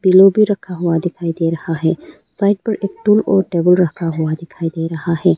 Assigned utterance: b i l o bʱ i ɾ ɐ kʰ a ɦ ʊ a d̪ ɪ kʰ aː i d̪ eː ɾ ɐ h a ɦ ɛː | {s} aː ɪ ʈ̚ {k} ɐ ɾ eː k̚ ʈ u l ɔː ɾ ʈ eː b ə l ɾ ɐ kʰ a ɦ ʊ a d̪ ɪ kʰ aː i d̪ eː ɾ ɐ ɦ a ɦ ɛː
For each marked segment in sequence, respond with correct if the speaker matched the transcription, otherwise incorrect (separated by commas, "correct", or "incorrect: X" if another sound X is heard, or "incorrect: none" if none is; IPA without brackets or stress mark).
correct, incorrect: p